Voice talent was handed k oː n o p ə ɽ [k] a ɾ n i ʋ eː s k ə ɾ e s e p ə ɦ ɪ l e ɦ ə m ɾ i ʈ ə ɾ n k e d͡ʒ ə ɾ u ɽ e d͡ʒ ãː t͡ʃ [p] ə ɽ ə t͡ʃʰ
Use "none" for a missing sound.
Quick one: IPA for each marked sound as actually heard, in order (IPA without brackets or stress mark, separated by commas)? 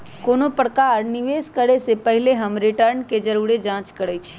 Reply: k, k